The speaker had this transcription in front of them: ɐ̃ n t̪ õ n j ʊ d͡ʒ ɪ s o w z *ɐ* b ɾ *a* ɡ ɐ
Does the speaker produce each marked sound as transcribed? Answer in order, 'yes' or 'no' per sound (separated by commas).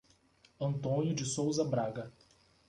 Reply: yes, yes